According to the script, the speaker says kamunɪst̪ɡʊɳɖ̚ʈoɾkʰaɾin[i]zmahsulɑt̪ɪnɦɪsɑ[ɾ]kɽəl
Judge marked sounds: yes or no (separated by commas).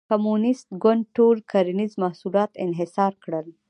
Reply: yes, yes